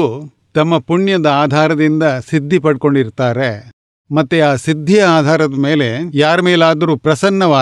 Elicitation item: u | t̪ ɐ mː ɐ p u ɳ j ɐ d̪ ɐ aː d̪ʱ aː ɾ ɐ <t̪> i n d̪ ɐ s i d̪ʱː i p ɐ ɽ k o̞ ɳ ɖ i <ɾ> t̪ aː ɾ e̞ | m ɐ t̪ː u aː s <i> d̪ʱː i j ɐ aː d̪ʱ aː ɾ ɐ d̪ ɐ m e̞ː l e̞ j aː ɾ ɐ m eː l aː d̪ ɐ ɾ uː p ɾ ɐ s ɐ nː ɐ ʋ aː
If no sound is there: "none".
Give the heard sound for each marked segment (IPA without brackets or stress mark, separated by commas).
d̪, ɾ, i